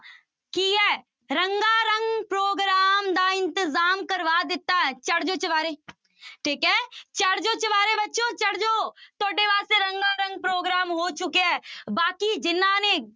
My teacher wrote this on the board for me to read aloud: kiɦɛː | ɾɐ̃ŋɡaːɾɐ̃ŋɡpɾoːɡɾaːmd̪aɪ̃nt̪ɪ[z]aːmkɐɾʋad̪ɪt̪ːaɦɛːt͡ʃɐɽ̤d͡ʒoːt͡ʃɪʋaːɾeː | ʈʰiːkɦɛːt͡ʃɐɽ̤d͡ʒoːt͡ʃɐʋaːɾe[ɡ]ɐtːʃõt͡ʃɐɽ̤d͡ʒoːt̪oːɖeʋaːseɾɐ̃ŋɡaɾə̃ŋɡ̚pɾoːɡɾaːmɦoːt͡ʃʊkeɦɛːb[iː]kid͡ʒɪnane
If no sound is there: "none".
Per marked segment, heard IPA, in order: z, b, aː

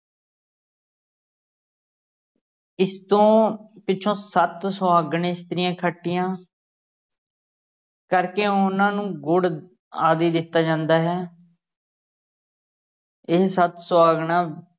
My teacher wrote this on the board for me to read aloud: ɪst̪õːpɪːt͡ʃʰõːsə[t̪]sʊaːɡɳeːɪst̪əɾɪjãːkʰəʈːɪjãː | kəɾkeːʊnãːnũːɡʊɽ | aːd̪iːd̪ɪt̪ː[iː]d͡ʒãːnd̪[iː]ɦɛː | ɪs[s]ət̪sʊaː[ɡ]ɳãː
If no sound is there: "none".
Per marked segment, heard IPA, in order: t̪, aː, aː, s, ɡ

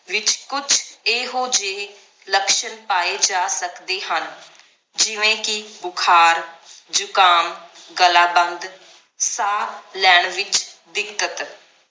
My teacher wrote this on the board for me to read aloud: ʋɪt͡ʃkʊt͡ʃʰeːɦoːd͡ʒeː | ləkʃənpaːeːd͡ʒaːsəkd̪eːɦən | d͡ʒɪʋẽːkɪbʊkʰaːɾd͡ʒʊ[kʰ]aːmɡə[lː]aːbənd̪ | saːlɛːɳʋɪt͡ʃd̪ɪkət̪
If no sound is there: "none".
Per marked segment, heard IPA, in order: k, l

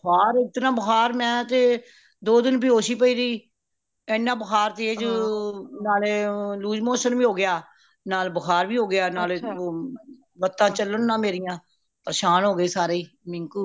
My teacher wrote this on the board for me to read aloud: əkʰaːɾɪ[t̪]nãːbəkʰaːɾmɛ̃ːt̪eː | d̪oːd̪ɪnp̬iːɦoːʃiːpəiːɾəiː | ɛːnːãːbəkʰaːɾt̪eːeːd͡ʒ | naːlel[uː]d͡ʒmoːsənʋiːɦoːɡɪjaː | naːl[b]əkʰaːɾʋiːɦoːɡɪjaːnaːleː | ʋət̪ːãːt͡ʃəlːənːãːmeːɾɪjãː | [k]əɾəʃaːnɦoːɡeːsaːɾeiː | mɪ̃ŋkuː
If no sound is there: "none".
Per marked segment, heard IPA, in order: t̪, uː, b, p

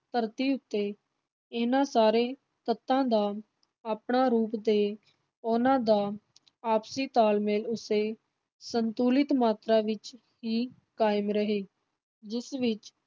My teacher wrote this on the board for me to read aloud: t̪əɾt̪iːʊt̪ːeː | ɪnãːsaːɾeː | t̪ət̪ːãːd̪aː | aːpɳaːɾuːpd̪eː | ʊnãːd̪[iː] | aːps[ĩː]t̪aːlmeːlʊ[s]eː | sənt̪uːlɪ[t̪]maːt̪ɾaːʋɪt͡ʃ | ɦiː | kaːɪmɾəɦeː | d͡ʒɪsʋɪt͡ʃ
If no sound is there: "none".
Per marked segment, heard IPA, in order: aː, iː, s, t̪

